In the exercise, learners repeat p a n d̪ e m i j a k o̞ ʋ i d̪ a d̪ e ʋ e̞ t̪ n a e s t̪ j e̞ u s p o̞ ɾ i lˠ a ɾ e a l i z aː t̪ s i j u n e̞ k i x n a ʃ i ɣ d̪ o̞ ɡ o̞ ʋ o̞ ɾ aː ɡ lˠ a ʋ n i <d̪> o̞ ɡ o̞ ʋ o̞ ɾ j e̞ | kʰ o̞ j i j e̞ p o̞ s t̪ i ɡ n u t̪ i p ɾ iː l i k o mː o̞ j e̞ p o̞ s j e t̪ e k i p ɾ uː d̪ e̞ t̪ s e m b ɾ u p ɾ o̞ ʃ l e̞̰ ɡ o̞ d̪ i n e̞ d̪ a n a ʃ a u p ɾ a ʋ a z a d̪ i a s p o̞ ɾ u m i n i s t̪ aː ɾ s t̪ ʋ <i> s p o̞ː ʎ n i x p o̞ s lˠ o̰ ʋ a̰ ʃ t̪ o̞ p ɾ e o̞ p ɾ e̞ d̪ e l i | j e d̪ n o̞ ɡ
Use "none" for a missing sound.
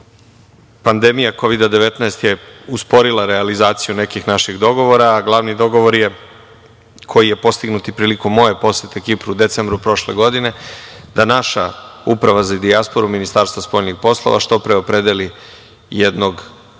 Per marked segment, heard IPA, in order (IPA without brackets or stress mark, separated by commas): d̪, a